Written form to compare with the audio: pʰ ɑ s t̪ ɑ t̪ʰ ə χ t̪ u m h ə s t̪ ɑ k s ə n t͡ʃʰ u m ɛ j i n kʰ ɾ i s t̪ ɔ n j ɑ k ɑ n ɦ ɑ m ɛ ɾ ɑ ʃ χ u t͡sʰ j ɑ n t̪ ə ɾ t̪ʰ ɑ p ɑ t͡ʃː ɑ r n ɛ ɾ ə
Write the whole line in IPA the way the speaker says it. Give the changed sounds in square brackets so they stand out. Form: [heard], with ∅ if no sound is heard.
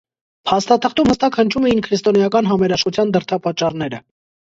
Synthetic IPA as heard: pʰ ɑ s t̪ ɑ t̪ʰ ə χ t̪ u m h ə s t̪ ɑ k [h] ə n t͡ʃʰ u m ɛ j i n kʰ ɾ i s t̪ ɔ n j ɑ k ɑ n ɦ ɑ m ɛ ɾ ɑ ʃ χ u t͡sʰ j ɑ n [d̪] ə ɾ t̪ʰ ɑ p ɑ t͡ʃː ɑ r n ɛ ɾ ə